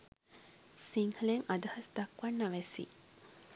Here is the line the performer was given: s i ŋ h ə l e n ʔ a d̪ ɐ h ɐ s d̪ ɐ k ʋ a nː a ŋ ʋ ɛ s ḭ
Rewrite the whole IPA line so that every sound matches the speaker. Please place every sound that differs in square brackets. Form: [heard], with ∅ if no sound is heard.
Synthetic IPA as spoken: s i ŋ h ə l e [ŋ] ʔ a d̪ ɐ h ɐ s d̪ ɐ k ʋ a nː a [∅] ʋ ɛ s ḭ